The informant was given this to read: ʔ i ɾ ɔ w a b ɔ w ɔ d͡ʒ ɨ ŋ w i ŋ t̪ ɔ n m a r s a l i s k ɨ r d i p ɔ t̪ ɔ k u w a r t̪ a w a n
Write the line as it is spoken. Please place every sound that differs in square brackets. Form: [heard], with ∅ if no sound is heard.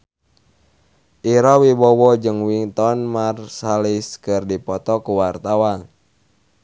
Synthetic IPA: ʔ i ɾ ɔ w [i] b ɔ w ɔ d͡ʒ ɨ ŋ w i ŋ t̪ ɔ n m a r s a l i s k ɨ r d i p ɔ t̪ ɔ k u w a r t̪ a w a n